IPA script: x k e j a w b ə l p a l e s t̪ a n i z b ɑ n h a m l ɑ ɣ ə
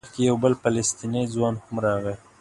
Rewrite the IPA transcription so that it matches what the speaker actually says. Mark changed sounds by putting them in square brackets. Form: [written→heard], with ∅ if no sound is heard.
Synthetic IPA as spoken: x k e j a w b ə l p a l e s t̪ [a→i] n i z [b→w] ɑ n h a m [l→ɾ] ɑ ɣ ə